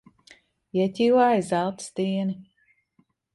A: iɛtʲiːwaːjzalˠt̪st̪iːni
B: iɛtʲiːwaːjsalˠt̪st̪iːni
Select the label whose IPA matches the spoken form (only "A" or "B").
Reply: A